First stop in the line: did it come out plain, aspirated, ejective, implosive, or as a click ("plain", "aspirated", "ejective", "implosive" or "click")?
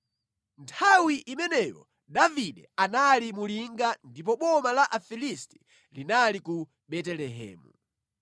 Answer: aspirated